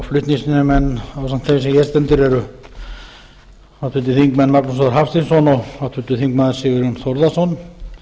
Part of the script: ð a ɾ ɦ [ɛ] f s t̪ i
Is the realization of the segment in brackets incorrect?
yes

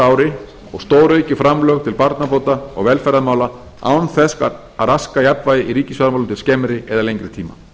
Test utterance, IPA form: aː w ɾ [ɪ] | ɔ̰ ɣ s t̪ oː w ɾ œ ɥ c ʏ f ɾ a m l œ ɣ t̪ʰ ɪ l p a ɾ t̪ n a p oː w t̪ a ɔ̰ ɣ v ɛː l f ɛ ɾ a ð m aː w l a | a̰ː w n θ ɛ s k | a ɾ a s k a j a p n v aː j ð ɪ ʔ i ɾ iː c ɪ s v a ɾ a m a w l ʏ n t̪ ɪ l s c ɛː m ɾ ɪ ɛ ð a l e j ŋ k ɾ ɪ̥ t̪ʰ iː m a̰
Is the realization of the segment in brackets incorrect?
no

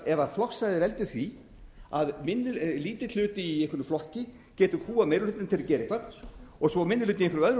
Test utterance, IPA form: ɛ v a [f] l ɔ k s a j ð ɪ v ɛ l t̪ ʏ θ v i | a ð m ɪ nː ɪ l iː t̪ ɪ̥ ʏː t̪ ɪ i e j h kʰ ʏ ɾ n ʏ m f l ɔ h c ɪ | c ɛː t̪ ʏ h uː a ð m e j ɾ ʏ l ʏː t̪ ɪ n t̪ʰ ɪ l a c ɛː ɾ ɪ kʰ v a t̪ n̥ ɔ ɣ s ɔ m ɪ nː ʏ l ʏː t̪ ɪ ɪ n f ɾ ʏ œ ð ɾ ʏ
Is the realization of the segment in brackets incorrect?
no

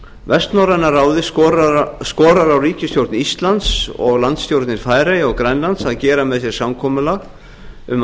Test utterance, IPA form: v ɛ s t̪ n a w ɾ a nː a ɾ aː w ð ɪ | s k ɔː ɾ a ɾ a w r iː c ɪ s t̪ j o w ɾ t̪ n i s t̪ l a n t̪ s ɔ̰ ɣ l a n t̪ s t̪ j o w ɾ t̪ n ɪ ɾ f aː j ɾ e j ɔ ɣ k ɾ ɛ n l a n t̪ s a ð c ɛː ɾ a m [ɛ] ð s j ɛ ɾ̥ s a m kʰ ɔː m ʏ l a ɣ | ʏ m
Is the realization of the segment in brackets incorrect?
no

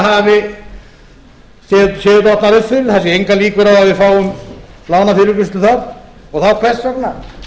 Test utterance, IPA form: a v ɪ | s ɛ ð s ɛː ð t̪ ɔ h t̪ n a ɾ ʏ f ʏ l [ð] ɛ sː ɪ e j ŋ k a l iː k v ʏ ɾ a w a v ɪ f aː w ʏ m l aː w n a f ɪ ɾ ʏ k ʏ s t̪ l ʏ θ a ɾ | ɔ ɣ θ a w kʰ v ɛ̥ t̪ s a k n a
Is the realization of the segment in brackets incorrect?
yes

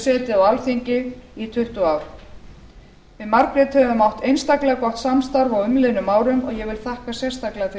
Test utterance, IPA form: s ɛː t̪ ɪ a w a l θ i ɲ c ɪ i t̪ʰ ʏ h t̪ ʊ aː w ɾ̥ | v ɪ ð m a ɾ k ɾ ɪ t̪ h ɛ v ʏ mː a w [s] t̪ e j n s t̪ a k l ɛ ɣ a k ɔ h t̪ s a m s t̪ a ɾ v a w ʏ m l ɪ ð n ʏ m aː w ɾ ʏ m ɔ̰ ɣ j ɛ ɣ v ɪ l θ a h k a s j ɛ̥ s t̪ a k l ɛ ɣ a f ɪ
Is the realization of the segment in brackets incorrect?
yes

